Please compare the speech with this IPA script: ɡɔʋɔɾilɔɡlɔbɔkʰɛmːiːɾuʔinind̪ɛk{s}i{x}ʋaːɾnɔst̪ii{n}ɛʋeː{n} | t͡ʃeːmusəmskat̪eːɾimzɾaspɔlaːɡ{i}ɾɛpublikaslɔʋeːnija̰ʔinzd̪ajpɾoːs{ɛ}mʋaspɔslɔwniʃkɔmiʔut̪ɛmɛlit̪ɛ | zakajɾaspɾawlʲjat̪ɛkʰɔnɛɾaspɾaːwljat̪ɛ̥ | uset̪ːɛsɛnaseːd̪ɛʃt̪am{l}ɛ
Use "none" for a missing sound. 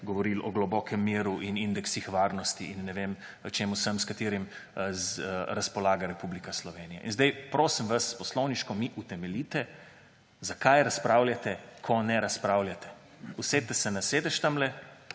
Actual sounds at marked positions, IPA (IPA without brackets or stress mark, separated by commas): s, x, nː, m, a, i, l